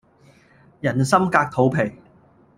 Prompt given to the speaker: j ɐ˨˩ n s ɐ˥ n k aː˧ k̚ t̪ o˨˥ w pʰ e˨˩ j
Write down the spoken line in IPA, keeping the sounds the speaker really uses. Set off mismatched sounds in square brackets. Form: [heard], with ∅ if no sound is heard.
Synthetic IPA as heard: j ɐ˨˩ n s ɐ˥ [m] k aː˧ k̚ [t̪ʰ] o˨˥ w pʰ e˨˩ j